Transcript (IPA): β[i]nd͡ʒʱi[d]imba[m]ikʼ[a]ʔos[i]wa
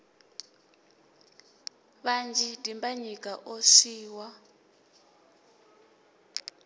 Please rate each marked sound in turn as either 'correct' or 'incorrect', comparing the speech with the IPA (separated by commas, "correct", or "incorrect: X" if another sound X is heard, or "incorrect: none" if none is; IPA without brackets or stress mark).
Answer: incorrect: a, correct, incorrect: ɲ, correct, incorrect: iː